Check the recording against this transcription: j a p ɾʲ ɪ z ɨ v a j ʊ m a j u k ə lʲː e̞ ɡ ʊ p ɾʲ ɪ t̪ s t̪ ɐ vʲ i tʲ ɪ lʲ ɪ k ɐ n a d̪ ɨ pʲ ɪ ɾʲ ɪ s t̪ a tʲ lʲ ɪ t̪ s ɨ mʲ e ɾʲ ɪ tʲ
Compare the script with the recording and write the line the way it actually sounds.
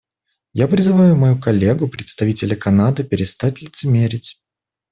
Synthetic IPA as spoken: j a p ɾʲ ɪ z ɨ v a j ʊ m ɐ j u k ɐ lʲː e̞ ɡ ʊ p ɾʲ ɪ t̪ s t̪ ɐ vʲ i tʲ ɪ lʲ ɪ k ɐ n a d̪ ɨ pʲ ɪ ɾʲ ɪ s t̪ a tʲ lʲ ɪ t̪ s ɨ mʲ e ɾʲ ɪ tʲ